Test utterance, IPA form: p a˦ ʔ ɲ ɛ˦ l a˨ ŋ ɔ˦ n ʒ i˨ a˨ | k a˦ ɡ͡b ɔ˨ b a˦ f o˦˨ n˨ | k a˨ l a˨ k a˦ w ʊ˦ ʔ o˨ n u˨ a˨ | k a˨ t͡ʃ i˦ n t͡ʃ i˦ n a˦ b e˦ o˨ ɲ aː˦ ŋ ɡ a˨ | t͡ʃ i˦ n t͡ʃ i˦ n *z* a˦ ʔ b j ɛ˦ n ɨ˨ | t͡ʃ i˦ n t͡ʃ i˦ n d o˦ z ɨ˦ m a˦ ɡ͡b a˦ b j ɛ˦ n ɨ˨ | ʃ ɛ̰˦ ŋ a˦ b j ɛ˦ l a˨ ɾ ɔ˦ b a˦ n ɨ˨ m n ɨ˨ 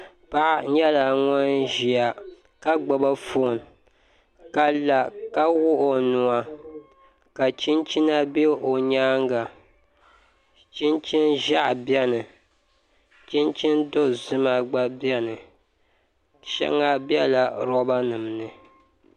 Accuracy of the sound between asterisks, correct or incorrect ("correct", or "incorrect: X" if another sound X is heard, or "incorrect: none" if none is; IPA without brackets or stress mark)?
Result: incorrect: ʒ